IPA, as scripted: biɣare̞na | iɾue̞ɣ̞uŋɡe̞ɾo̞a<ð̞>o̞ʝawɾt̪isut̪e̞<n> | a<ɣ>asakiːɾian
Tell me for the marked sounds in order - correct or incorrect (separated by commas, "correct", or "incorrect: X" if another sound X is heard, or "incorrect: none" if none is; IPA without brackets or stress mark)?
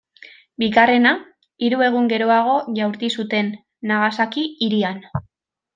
incorrect: ɣ̞, incorrect: nː, correct